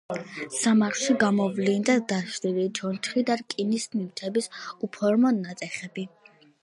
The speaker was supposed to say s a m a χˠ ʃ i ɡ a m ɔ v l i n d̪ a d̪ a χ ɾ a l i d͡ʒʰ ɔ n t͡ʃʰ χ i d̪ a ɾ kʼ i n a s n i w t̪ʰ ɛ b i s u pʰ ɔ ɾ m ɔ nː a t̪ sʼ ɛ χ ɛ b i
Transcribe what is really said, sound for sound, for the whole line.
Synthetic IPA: s a m a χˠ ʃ i ɡ a m ɔ v l i n d̪ a d̪ a ʃ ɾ i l i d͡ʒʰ ɔ n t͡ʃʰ χ i d̪ a ɾ kʼ i n i s n i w t̪ʰ ɛ b i s u pʰ ɔ ɾ m ɔ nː a t̪ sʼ ɛ χ ɛ b i